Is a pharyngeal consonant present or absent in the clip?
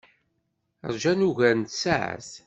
present